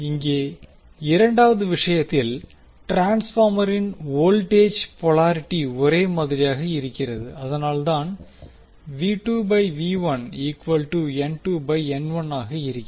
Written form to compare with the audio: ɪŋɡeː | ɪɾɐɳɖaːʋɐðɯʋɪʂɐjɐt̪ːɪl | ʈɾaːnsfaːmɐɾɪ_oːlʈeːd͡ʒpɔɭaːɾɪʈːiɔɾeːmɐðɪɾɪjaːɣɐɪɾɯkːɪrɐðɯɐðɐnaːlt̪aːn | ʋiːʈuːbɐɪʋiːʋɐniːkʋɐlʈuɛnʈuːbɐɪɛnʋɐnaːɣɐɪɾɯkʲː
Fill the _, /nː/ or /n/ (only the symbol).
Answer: n